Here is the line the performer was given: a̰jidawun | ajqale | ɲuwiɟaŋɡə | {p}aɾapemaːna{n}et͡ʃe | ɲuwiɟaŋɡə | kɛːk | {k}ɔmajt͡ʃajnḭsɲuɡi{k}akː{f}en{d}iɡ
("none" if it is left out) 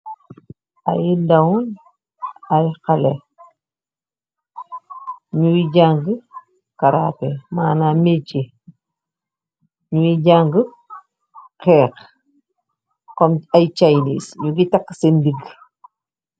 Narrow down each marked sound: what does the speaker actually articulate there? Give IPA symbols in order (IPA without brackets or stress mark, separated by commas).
k, m, k, t, s, d